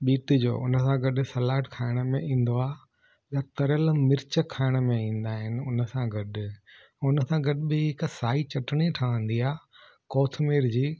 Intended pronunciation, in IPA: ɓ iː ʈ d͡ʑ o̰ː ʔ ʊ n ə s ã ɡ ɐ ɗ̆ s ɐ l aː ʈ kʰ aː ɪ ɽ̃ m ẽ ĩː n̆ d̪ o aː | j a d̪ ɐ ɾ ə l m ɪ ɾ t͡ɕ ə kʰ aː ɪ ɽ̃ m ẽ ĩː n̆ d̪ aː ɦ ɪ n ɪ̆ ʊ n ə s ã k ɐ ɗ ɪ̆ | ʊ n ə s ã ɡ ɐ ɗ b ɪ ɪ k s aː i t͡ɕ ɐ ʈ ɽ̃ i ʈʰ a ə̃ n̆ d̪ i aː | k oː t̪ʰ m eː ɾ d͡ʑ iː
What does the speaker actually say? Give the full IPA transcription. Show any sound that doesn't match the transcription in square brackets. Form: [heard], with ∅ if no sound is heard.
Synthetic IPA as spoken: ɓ iː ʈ d͡ʑ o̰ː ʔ ʊ n ə s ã ɡ ɐ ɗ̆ s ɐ l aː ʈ kʰ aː ɪ ɽ̃ m ẽ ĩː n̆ d̪ o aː | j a [t̪] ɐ ɾ ə l m ɪ ɾ t͡ɕ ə kʰ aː ɪ ɽ̃ m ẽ ĩː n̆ d̪ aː ɦ ɪ n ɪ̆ ʊ n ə s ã [ɡ] ɐ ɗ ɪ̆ | ʊ n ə s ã ɡ ɐ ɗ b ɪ ɪ k s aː i t͡ɕ ɐ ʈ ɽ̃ i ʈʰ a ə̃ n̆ d̪ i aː | k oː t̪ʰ m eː ɾ d͡ʑ iː